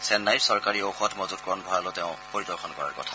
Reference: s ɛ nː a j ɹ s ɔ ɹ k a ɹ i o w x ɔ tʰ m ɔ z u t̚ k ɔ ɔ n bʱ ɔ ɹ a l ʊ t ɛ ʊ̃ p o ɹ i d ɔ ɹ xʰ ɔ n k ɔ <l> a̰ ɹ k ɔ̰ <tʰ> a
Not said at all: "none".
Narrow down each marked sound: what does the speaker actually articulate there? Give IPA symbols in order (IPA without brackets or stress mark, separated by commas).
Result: ɹ, tʰ